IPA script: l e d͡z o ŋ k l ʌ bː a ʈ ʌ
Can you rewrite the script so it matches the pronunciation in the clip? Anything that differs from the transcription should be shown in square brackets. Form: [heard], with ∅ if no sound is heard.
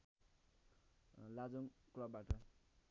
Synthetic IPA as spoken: l [a] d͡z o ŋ k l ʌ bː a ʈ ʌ